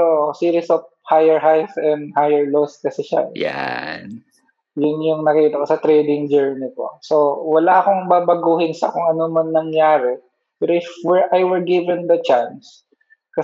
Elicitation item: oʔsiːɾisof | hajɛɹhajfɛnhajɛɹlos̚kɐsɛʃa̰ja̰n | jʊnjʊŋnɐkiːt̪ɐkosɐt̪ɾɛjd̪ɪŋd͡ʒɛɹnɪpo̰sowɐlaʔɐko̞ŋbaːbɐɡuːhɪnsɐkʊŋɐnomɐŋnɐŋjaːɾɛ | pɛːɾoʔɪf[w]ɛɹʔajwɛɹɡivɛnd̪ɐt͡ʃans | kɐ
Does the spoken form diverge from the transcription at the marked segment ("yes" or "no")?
no